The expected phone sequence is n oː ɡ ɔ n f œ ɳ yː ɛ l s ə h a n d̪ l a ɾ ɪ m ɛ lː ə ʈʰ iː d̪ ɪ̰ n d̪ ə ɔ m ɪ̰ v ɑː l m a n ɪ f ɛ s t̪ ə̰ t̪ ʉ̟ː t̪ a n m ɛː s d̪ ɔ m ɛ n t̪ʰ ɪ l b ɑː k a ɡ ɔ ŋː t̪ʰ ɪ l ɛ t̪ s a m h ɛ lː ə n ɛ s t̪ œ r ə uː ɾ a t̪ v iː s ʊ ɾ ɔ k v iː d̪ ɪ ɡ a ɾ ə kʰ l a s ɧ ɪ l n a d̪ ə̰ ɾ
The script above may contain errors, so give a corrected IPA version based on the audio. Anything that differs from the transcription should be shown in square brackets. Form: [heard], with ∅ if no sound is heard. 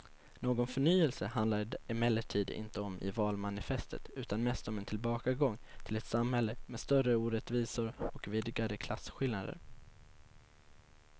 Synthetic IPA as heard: n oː ɡ ɔ n f œ ɳ yː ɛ l s ə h a n d̪ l a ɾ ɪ m ɛ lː ə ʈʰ iː d̪ ɪ̰ n [t̪] ə ɔ m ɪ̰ v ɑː l m a n ɪ f ɛ s t̪ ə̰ t̪ ʉ̟ː t̪ a n m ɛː s [t̪] ɔ m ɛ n t̪ʰ ɪ l b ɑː k a ɡ ɔ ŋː t̪ʰ ɪ l ɛ t̪ s a m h ɛ lː ə [m] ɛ s t̪ œ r ə uː ɾ [ɛ] t̪ v iː s ʊ ɾ ɔ k v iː d̪ ɪ ɡ a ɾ ə kʰ l a s ɧ ɪ l n a d̪ ə̰ ɾ